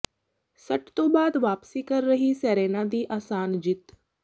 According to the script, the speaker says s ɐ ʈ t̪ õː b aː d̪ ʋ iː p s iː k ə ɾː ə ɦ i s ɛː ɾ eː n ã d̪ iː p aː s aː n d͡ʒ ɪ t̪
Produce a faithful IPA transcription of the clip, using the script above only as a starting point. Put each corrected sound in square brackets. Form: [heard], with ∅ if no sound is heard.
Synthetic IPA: s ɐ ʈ t̪ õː b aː d̪ ʋ [aː] p s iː k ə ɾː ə ɦ i s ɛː ɾ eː n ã d̪ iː [ʔ] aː s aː n d͡ʒ ɪ t̪